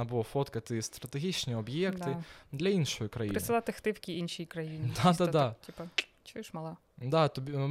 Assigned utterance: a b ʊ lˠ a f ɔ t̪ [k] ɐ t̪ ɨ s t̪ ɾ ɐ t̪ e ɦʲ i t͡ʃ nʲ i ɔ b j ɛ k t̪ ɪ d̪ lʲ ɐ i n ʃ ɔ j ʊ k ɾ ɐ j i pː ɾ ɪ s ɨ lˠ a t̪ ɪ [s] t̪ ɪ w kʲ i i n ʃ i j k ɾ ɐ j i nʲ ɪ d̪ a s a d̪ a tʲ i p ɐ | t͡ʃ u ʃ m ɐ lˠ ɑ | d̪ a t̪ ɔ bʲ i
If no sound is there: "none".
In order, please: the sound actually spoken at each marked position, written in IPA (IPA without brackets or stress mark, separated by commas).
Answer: k, x